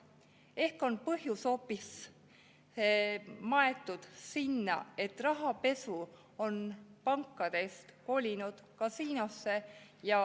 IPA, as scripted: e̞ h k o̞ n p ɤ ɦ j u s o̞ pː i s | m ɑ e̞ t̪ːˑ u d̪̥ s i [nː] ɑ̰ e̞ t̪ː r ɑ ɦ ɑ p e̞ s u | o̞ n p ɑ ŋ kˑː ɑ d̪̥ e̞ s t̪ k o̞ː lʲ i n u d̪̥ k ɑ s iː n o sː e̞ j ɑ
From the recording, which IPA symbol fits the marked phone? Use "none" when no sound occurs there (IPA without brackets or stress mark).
nː